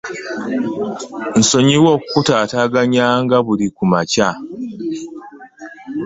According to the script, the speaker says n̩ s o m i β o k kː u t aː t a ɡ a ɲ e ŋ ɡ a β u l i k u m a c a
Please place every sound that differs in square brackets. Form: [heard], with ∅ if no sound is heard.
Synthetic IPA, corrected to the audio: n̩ s o [ɲ] i [w] o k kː u t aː t a ɡ a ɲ [a] ŋ ɡ a β u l i k u m a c a